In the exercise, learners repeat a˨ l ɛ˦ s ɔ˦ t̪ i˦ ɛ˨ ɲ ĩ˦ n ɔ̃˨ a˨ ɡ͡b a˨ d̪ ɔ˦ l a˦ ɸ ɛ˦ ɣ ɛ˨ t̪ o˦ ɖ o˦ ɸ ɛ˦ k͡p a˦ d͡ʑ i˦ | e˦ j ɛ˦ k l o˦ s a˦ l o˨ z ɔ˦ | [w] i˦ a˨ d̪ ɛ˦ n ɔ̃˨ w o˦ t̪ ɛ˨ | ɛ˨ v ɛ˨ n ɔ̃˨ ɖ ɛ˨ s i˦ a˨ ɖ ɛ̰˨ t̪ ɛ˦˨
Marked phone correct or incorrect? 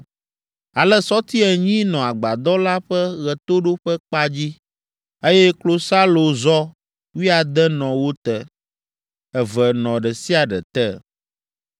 correct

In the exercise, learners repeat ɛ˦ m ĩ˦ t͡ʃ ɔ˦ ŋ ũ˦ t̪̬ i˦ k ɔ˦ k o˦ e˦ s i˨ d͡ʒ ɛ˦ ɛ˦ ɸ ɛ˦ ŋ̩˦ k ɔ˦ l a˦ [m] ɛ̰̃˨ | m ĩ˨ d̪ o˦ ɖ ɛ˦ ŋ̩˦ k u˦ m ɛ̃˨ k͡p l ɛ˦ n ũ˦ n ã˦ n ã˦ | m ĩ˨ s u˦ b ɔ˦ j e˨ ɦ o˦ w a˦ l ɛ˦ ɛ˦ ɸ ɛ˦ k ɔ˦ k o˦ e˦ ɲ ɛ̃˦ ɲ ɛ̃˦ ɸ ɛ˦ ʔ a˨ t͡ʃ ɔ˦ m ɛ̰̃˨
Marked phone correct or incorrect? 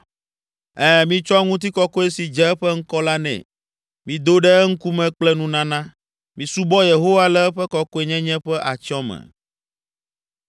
incorrect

